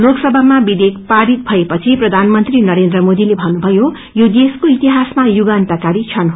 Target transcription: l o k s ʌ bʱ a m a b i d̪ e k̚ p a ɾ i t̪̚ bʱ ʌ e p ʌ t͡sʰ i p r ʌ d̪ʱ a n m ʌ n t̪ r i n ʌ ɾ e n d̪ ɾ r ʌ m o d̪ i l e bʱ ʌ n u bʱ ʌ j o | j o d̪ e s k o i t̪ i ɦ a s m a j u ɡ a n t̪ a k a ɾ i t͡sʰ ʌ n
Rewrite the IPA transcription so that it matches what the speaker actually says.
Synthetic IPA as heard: l o k s ʌ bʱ a m a b i d̪ e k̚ p a ɾ i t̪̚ bʱ ʌ e p ʌ t͡sʰ i p r ʌ d̪ʱ a n m ʌ n t̪ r i n ʌ ɾ e n d̪ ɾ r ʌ m o d̪ i l e bʱ ʌ n u bʱ ʌ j o | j o d̪ e s k o i t̪ i ɦ a s m a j u ɡ a n t̪ a k a ɾ i t͡sʰ ʌ n